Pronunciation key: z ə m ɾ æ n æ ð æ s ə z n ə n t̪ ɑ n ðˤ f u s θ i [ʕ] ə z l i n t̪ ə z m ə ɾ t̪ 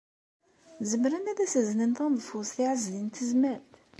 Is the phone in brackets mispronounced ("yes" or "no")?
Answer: no